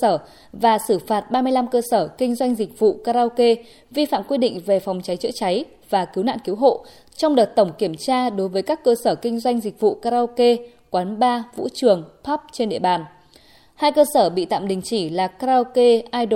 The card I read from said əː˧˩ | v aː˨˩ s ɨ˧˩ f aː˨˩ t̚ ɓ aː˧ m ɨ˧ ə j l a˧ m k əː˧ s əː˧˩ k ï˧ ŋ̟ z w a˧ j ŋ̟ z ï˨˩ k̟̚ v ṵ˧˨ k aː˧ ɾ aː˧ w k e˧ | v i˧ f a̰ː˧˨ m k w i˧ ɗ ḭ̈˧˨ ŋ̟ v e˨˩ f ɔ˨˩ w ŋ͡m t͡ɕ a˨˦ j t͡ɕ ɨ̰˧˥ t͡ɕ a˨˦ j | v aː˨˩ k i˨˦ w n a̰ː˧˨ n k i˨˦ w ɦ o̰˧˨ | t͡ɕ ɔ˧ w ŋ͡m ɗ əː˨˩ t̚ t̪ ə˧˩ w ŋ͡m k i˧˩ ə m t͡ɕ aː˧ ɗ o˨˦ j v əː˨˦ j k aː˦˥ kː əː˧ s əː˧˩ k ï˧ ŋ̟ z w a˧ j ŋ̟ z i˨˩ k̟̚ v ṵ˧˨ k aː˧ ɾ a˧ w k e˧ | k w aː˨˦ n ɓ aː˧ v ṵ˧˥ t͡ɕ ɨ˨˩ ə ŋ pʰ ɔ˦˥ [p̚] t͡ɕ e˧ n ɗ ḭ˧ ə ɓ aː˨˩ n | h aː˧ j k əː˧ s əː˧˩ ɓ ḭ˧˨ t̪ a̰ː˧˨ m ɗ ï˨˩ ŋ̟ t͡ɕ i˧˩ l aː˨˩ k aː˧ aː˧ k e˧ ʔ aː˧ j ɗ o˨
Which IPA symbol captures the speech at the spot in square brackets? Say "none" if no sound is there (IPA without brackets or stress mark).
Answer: p̚